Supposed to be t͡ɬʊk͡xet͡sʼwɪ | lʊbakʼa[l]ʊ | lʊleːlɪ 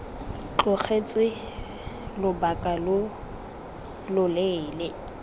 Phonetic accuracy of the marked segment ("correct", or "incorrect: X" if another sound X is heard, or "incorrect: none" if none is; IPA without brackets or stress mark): correct